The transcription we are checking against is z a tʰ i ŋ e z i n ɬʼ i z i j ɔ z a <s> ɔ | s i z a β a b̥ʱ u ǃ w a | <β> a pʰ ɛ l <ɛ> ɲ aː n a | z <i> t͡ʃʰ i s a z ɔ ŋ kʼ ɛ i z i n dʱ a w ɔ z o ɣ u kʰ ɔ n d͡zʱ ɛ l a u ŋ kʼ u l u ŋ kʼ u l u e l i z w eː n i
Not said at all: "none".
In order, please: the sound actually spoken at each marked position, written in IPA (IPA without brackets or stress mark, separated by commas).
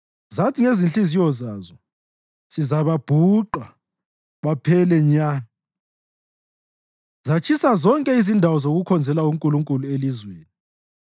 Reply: z, β, ɛ, a